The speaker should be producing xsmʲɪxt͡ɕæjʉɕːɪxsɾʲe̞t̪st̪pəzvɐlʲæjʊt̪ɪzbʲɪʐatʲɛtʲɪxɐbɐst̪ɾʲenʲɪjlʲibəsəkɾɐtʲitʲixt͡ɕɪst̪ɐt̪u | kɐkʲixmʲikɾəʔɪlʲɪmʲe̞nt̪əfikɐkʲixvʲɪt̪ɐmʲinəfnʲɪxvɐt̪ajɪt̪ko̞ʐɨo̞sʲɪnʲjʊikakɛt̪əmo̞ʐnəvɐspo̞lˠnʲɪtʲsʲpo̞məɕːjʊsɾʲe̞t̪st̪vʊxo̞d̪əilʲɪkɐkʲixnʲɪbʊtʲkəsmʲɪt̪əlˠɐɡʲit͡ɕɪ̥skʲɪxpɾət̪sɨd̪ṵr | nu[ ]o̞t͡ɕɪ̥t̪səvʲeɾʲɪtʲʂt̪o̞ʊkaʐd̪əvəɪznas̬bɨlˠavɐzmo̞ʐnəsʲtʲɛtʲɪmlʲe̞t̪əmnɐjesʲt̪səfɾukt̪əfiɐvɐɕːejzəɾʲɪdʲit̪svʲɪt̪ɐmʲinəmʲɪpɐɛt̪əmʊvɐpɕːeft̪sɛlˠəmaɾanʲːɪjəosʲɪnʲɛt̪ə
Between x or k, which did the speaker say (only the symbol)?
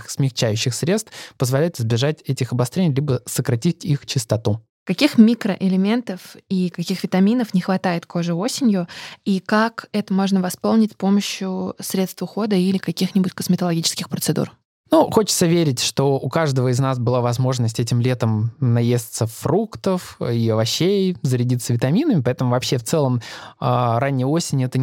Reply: x